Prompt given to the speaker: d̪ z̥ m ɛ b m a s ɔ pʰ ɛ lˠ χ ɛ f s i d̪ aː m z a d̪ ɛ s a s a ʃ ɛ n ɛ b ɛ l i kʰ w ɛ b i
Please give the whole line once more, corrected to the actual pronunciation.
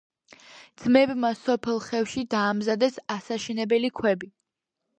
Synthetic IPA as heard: d̪ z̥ m ɛ b m a s ɔ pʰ ɛ lˠ χ ɛ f ʃ i d̪ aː m z a d̪ ɛ s a s a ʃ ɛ n ɛ b ɛ l i kʰ w ɛ b i